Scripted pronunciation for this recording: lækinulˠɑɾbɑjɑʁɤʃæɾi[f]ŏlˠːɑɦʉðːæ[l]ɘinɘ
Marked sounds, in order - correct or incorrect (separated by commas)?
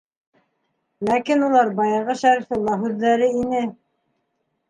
correct, incorrect